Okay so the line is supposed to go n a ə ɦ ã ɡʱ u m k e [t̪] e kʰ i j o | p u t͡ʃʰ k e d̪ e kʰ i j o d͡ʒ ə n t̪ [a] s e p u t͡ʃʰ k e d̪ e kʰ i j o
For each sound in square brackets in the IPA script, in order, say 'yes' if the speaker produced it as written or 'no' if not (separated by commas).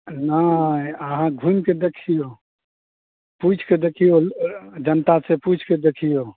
no, yes